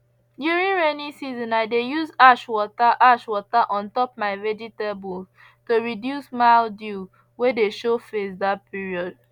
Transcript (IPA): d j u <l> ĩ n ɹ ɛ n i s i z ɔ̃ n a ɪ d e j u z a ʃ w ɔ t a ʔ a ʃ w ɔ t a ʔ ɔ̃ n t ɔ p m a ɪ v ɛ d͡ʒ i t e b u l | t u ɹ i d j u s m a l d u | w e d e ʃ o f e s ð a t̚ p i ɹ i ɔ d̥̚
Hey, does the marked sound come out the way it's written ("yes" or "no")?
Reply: no